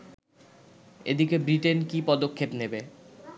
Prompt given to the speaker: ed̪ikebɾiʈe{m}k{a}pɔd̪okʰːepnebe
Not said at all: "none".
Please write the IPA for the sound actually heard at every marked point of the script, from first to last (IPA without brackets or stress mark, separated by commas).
n, i